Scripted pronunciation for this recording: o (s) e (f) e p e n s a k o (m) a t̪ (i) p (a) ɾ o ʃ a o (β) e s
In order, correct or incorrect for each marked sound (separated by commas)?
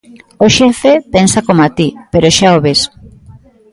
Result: incorrect, correct, correct, correct, incorrect, correct